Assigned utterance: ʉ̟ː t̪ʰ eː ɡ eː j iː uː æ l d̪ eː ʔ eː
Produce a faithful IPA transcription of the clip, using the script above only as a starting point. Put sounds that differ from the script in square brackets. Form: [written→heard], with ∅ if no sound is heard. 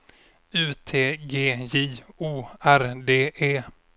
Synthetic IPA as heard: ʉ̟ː t̪ʰ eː ɡ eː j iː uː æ [l→ɾ] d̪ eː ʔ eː